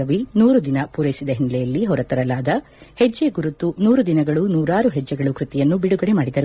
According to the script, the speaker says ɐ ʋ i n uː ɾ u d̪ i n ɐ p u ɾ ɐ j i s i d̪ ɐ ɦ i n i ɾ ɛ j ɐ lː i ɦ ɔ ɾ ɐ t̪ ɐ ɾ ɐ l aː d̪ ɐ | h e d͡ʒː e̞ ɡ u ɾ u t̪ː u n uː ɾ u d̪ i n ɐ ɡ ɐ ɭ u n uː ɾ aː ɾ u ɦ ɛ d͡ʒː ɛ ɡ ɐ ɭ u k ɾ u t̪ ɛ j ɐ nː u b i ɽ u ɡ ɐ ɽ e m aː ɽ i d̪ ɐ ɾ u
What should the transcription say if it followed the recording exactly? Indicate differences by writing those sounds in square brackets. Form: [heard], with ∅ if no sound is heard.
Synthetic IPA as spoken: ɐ ʋ i n uː ɾ u d̪ i n ɐ p u ɾ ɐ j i s i d̪ ɐ ɦ i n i [l] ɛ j ɐ lː i ɦ ɔ ɾ ɐ t̪ ɐ ɾ ɐ l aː d̪ ɐ | h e d͡ʒː e̞ ɡ u ɾ u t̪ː u n uː ɾ u d̪ i n ɐ ɡ ɐ ɭ u n uː ɾ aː ɾ u ɦ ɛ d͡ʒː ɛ ɡ ɐ ɭ u k ɾ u t̪ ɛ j ɐ nː u b i ɽ u ɡ ɐ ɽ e m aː ɽ i d̪ ɐ ɾ u